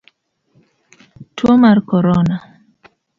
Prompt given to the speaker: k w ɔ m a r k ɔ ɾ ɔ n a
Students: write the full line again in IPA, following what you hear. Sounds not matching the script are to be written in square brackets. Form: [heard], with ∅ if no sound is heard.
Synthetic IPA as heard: [t] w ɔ m a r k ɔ ɾ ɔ n a